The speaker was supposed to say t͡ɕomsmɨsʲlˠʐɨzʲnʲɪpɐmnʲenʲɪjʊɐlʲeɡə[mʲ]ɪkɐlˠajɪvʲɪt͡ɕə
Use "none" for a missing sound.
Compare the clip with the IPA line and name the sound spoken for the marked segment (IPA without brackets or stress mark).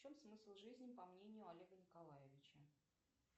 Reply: nʲ